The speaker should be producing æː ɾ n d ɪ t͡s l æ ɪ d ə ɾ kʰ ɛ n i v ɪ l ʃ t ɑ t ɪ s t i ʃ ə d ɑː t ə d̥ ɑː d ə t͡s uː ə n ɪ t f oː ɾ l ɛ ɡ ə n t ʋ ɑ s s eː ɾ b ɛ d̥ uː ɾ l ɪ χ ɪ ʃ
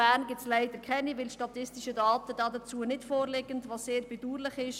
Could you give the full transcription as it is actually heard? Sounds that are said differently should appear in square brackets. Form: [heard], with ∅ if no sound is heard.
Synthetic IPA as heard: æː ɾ n [ɡ] ɪ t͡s l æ ɪ d ə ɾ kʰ ɛ n i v ɪ l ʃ t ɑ t ɪ s t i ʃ ə d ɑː t ə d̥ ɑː d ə t͡s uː ə n ɪ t f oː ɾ l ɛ ɡ ə n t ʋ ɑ s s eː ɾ b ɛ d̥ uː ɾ l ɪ χ ɪ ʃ